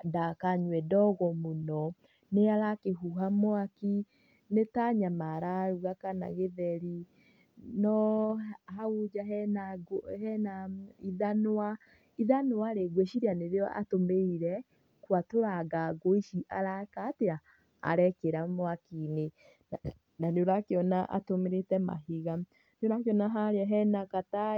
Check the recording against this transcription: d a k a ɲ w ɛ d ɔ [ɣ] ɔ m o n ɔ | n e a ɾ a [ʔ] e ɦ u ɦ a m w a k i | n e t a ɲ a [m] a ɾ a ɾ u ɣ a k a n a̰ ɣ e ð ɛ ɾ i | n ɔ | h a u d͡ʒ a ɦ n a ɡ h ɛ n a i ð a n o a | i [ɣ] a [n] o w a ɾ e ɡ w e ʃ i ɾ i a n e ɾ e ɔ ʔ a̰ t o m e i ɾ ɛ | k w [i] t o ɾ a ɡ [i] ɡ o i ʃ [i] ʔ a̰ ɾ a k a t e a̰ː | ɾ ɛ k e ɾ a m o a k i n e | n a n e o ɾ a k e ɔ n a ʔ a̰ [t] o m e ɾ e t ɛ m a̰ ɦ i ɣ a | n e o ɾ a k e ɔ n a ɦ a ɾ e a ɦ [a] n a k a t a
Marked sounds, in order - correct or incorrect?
correct, incorrect, correct, incorrect, correct, incorrect, incorrect, correct, correct, incorrect

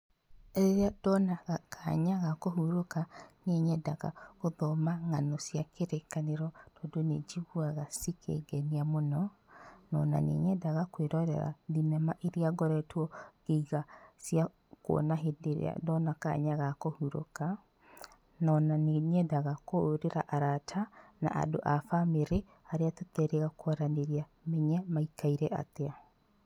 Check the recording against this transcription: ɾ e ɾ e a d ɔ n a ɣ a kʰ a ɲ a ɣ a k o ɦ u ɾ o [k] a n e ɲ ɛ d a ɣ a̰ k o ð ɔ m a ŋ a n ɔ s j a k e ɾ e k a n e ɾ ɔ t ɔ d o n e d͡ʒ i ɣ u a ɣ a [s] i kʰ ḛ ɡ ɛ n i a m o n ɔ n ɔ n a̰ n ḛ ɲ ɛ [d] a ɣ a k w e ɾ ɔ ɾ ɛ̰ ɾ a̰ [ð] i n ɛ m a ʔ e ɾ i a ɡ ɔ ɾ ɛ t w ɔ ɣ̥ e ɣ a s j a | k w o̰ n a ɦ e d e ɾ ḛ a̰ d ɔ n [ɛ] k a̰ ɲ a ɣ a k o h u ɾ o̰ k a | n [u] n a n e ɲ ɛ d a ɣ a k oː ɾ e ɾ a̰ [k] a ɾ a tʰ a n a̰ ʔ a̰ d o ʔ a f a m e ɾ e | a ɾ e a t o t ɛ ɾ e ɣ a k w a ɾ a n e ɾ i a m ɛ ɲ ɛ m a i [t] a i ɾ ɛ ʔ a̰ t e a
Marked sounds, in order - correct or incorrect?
correct, correct, correct, correct, incorrect, incorrect, incorrect, incorrect

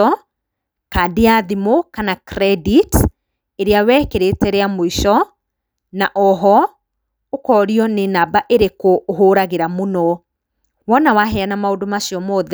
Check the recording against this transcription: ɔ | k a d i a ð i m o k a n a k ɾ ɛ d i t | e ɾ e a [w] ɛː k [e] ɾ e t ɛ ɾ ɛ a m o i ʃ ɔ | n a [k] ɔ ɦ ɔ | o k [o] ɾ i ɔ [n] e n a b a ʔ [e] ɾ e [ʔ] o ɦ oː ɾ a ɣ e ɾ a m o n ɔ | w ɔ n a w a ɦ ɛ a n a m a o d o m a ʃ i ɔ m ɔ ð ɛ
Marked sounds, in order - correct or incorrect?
correct, correct, incorrect, incorrect, correct, correct, incorrect

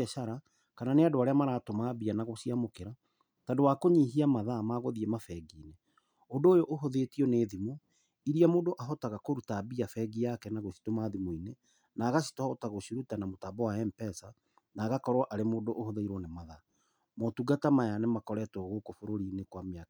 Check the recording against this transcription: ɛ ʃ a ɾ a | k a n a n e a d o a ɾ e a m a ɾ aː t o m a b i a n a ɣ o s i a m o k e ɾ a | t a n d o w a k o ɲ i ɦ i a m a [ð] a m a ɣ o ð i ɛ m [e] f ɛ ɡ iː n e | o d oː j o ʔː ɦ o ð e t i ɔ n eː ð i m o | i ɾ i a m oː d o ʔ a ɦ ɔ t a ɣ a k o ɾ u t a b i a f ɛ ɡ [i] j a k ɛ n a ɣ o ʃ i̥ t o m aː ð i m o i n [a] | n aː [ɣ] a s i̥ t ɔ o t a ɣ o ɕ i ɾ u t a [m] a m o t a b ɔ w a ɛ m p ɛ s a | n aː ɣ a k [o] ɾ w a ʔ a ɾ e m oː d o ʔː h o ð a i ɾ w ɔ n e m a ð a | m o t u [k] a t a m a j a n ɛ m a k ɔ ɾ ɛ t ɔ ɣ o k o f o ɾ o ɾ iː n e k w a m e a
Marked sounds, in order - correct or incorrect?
correct, incorrect, correct, incorrect, correct, incorrect, incorrect, incorrect

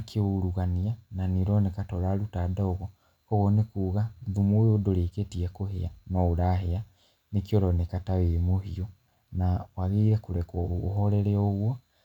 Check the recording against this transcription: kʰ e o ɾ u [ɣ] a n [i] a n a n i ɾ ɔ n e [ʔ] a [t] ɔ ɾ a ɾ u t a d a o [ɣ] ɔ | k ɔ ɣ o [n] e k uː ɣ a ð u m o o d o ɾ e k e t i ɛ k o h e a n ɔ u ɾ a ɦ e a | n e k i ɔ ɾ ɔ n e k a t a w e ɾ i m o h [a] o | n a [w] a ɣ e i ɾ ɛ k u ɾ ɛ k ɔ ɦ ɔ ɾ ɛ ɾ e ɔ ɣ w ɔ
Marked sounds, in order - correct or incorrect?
correct, correct, incorrect, correct, correct, correct, incorrect, correct

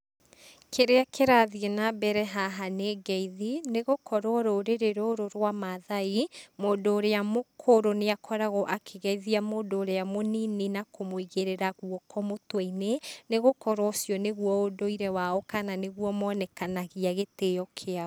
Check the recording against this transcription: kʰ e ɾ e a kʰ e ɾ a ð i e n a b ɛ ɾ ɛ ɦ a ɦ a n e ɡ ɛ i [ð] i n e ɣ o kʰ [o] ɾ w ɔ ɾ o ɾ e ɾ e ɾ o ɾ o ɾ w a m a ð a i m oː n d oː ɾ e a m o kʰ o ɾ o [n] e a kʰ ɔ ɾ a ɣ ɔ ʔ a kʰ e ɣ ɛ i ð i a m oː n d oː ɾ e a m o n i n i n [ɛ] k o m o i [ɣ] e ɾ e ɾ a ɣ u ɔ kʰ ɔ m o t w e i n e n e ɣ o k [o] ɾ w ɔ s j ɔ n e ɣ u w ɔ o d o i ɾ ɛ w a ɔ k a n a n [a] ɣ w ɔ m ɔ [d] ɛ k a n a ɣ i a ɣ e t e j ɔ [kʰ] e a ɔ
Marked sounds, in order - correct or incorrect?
correct, incorrect, correct, incorrect, correct, incorrect, incorrect, incorrect, correct

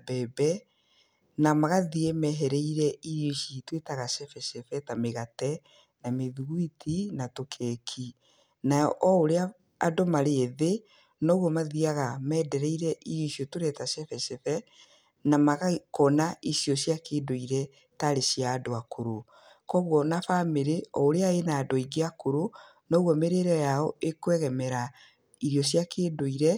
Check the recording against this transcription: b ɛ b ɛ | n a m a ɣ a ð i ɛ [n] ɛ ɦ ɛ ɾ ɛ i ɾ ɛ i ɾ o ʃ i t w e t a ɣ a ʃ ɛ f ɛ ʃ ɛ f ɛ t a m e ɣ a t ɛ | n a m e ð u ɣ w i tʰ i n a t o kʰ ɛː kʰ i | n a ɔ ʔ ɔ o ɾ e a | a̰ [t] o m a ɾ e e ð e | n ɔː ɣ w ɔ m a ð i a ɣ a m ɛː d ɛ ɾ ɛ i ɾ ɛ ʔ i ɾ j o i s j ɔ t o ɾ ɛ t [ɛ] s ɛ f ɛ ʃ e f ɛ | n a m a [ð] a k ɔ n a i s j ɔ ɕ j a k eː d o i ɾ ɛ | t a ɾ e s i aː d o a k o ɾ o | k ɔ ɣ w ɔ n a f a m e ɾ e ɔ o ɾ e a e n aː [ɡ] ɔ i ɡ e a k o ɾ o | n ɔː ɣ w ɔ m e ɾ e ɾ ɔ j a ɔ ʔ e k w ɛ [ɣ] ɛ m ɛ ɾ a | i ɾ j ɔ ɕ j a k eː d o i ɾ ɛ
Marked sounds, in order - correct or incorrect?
incorrect, incorrect, incorrect, incorrect, incorrect, correct

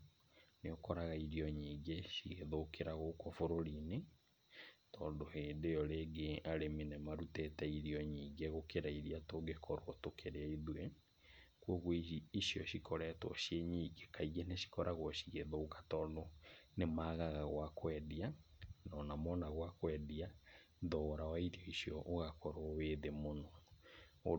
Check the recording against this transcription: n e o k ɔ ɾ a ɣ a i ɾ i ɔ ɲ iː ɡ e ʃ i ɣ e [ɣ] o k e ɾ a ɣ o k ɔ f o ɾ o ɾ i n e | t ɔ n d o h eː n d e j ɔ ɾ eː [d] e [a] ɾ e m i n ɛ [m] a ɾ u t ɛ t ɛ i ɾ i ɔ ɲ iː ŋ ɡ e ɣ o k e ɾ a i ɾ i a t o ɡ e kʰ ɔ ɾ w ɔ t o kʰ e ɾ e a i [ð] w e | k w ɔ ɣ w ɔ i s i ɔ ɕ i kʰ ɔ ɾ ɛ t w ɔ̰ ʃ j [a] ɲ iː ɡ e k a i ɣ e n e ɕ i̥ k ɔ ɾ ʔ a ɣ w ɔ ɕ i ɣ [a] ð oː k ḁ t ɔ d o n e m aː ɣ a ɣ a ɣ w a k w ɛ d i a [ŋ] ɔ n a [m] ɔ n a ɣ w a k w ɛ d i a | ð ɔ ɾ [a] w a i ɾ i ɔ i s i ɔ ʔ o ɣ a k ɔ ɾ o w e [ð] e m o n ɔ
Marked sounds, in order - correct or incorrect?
incorrect, incorrect, correct, correct, correct, incorrect, incorrect, incorrect, correct, correct, correct

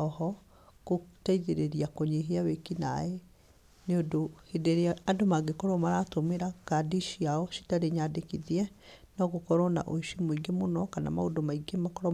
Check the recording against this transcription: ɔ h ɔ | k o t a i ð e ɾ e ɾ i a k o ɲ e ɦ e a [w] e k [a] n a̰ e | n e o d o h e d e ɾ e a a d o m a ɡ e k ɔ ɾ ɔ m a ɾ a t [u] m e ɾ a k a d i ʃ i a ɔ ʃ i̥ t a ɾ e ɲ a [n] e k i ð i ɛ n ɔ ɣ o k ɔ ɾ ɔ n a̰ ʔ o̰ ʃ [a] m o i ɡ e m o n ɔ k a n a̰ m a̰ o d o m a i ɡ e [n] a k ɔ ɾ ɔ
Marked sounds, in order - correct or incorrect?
correct, incorrect, incorrect, incorrect, incorrect, incorrect

